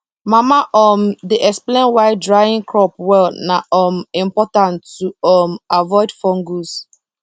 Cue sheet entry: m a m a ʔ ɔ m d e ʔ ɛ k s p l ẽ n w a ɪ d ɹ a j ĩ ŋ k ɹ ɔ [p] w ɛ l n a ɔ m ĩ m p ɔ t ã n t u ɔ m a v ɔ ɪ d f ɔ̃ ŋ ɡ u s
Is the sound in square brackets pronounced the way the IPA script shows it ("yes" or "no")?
yes